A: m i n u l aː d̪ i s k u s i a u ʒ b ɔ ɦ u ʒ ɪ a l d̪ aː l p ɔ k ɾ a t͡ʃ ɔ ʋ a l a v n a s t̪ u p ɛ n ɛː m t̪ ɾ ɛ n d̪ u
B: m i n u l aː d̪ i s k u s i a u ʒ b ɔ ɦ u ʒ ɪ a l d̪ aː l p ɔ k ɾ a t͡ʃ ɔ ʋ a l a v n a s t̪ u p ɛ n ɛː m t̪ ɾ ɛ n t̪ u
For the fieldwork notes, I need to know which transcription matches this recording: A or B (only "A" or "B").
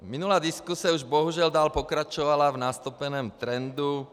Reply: A